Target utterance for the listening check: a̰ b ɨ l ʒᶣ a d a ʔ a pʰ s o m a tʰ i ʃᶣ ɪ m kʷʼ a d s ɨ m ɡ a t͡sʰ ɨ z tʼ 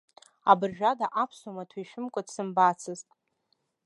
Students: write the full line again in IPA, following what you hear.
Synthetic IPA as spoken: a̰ b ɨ r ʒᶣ a d a ʔ a pʰ s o m a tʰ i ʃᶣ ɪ m kʷʼ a d s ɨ m b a t͡sʰ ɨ z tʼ